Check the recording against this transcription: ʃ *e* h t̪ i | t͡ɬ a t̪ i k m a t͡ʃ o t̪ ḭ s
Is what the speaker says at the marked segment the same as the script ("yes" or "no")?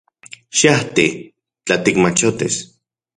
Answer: no